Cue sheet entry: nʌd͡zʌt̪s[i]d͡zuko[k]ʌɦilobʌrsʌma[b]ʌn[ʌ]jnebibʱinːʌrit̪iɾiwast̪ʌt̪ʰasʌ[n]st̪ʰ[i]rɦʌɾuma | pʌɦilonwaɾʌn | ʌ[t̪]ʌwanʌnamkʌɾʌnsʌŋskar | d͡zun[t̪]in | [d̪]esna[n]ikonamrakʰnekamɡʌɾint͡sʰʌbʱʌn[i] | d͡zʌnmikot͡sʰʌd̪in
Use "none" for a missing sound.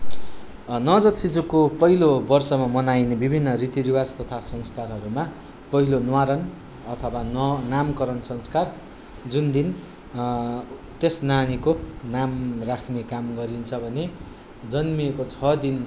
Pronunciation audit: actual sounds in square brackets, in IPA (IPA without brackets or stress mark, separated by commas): i, p, m, a, ŋ, a, t̪ʰ, d̪, t̪, n, e